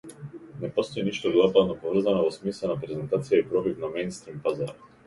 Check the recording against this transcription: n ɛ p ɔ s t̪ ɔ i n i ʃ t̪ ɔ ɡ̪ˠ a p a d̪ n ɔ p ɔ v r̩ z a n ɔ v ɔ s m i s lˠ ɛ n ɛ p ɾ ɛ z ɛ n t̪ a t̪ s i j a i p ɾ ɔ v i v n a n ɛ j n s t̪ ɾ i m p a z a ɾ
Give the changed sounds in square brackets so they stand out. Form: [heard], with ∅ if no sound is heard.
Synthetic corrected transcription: n ɛ p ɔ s t̪ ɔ i n i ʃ t̪ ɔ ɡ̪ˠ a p a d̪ n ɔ p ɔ v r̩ z a n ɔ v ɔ s m i s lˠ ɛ n [a] p ɾ ɛ z ɛ n t̪ a t̪ s i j a i p ɾ ɔ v i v n a [m] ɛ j n s t̪ ɾ i m p a z a ɾ